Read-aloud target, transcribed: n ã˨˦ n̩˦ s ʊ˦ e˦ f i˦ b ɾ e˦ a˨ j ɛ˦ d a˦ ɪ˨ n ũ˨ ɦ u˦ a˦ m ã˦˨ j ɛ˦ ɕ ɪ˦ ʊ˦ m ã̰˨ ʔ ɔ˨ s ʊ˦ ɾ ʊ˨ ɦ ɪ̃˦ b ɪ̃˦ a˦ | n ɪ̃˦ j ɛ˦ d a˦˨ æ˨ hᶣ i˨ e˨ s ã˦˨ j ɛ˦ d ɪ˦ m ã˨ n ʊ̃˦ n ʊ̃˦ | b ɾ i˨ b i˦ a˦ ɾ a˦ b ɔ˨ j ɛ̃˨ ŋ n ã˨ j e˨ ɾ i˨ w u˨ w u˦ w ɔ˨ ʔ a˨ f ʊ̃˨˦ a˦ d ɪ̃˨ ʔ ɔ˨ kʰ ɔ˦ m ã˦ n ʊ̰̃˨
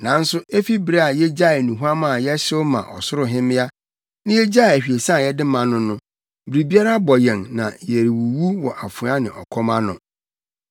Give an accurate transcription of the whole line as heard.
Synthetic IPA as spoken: n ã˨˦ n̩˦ s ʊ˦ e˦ f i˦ b ɾ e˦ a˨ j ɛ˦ d͡ʑ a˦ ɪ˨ n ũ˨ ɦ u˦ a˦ m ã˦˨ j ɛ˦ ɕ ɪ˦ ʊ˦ m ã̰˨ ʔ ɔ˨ s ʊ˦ ɾ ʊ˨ ɦ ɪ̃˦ m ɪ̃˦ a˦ | n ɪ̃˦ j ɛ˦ d͡ʑ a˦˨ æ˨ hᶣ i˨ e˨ s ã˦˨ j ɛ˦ d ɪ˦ m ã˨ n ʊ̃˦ n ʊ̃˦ | b ɾ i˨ b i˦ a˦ ɾ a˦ b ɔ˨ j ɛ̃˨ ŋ n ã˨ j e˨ ɾ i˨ w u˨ w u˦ w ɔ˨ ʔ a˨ f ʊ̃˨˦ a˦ n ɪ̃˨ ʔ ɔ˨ kʰ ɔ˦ m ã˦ n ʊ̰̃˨

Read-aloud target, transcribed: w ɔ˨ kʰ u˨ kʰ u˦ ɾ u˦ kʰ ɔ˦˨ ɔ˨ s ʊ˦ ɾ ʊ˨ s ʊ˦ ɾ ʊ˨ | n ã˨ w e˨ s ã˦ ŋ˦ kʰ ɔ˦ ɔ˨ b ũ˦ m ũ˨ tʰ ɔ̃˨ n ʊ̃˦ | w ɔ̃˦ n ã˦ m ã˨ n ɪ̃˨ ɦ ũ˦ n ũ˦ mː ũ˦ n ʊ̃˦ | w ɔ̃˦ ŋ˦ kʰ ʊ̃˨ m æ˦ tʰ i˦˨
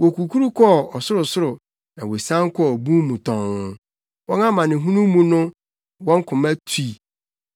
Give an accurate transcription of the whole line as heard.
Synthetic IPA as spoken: w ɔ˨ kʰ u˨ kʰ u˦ ɾ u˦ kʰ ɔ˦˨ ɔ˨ s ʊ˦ ɾ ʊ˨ s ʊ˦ ɾ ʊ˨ | n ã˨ w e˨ s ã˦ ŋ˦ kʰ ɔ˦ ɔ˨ b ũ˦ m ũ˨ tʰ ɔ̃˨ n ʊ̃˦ | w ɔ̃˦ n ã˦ m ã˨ n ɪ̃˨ ɦ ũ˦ n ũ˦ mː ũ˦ n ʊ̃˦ | w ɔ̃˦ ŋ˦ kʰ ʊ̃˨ m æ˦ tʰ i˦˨

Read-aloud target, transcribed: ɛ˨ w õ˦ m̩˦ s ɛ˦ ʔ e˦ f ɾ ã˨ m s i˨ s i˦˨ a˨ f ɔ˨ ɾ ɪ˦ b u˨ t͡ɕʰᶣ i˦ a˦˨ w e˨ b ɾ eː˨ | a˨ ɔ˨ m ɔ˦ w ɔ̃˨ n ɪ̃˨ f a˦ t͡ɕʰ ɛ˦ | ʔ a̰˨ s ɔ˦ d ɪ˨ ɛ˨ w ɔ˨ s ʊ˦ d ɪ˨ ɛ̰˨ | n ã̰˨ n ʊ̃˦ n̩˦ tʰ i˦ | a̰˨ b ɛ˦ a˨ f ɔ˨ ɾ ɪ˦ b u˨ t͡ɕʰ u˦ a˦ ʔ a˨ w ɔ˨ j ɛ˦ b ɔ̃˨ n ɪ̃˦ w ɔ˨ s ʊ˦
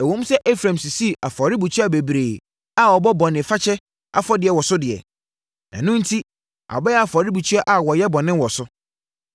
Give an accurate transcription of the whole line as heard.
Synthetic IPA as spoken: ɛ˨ w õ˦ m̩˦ s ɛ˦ ʔ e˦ f ɾ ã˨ m s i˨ s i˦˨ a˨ f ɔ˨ ɾ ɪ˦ b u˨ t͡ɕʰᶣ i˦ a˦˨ b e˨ b ɾ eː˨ | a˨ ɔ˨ b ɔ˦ b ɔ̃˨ n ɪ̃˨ f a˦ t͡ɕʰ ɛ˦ | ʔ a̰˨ f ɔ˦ d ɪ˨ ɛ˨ w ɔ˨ s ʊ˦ d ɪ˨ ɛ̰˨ | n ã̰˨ n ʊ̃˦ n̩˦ tʰ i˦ | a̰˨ b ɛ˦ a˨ f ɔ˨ ɾ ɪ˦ b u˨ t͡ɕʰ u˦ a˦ ʔ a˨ w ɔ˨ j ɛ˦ b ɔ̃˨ n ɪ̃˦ w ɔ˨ s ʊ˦

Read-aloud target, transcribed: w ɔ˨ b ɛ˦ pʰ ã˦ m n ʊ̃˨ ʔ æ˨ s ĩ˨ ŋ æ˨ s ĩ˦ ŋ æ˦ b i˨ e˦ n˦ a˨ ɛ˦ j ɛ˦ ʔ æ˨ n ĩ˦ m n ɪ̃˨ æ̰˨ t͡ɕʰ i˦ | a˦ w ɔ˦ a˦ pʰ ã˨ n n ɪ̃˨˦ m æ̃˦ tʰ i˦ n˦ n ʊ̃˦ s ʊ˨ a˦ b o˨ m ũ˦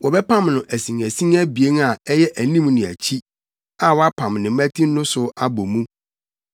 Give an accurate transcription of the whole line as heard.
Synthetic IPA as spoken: w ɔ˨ b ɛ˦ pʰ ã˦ m n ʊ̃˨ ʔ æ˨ s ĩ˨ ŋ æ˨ s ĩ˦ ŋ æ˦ b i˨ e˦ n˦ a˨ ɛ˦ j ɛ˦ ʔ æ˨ n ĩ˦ m n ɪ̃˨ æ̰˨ t͡ɕʰ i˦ | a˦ w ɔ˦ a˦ pʰ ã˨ m n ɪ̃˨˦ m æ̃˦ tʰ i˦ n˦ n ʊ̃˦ s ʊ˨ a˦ b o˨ m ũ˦

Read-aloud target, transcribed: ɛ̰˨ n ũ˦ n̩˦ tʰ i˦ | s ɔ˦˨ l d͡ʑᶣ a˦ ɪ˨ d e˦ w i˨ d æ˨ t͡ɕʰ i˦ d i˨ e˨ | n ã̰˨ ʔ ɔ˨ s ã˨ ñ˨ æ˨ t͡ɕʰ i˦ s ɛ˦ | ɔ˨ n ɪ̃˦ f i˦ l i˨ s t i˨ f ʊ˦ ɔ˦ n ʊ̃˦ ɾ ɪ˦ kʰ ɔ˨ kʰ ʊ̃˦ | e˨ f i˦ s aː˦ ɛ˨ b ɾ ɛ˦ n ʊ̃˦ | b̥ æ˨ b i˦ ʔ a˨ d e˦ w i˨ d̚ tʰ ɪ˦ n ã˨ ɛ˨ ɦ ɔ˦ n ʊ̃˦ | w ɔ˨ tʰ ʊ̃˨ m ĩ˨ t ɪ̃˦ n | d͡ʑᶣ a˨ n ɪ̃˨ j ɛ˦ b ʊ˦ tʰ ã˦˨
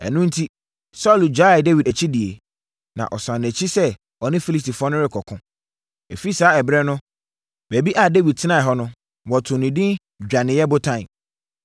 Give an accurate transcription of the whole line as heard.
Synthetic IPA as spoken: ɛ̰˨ n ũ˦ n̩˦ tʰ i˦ | s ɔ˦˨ l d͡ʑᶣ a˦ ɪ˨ d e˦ w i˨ d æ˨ t͡ɕʰ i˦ d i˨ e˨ | n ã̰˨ ʔ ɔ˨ s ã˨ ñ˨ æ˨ t͡ɕʰ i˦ s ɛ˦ | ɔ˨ n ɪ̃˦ f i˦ l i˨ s t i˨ f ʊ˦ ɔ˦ n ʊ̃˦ ɾ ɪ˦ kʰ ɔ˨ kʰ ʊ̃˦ | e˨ f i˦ s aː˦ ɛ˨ b ɾ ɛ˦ n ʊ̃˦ | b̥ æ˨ b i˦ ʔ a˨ d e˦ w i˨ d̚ tʰ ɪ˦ n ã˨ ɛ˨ ɦ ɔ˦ n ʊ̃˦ | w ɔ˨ tʰ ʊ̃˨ n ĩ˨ d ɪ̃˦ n | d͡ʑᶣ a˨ n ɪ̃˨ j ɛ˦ b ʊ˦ tʰ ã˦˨

